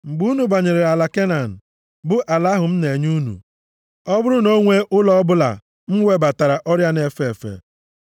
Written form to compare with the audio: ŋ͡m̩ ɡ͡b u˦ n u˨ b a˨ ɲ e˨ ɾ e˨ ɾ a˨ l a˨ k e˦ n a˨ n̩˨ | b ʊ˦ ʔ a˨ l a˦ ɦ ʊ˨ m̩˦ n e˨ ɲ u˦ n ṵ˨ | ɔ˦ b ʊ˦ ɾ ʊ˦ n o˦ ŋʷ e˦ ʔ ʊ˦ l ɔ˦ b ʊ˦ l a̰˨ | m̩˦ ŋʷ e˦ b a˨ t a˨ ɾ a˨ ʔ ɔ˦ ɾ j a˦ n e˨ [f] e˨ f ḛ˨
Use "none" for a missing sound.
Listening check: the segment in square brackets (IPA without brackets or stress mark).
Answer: f